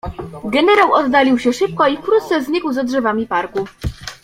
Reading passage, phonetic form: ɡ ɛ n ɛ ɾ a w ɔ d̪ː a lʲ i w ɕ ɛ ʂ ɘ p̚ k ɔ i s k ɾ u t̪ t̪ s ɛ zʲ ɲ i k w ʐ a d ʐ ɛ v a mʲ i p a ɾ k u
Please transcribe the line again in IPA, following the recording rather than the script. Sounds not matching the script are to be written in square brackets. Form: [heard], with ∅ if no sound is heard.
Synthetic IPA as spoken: ɡ ɛ n ɛ ɾ a w ɔ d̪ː a lʲ i w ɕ ɛ ʂ ɘ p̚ k ɔ i [f] k ɾ u t̪ t̪ s ɛ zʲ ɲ i k w [z] a d ʐ ɛ v a mʲ i p a ɾ k u

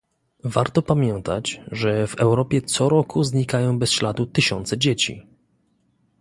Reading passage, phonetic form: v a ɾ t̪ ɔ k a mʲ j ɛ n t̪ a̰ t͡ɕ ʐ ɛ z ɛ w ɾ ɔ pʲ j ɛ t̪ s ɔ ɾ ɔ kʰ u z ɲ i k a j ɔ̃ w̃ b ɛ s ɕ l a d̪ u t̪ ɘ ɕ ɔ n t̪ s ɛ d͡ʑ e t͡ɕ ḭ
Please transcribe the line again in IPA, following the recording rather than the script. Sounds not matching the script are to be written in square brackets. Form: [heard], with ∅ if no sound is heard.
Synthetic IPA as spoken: v a ɾ t̪ ɔ [p] a mʲ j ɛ n t̪ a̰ t͡ɕ ʐ ɛ [v] ɛ w ɾ ɔ pʲ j ɛ t̪ s ɔ ɾ ɔ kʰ u z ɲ i k a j ɔ̃ w̃ b ɛ s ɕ l a d̪ u t̪ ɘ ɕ ɔ n t̪ s ɛ d͡ʑ e t͡ɕ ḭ

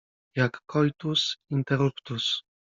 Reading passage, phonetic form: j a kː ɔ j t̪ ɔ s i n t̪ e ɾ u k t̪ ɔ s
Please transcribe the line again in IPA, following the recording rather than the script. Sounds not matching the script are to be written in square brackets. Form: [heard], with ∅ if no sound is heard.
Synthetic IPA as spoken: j a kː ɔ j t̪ [u] s i n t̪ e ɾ u [p] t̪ [u] s

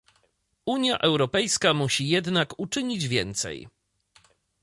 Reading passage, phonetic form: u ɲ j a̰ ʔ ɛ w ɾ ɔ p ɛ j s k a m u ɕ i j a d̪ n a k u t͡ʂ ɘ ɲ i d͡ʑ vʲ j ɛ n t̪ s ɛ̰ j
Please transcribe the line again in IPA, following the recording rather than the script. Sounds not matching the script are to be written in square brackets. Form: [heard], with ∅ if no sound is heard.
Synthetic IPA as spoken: u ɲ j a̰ ʔ ɛ w ɾ ɔ p ɛ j s k a m u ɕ i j [ɛ] d̪ n a k u t͡ʂ ɘ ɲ i d͡ʑ vʲ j ɛ n t̪ s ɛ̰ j

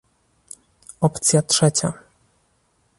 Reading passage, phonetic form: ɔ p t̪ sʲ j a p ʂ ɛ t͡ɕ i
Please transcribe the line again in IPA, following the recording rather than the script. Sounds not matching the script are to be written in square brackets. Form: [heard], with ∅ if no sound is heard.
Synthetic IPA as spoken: ɔ p t̪ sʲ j a [t] ʂ ɛ t͡ɕ [a]

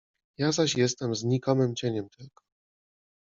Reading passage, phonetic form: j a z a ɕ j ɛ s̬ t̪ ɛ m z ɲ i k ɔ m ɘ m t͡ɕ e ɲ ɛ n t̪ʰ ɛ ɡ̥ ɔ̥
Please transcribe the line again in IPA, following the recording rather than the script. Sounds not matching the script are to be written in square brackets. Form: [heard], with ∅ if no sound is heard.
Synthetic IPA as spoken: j a z a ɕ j ɛ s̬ t̪ ɛ m z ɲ i k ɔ m ɘ m t͡ɕ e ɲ ɛ [m] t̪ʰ ɛ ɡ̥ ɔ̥

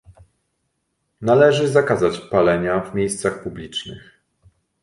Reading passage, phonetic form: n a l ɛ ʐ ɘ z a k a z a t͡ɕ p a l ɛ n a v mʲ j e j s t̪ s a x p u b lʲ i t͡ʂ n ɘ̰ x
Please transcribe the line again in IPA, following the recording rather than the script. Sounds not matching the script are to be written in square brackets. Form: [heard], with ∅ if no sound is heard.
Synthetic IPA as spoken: n a l ɛ ʐ ɘ z a k a z a t͡ɕ p a l ɛ [ɲ] a v mʲ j e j s t̪ s a x p u b lʲ i t͡ʂ n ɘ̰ x

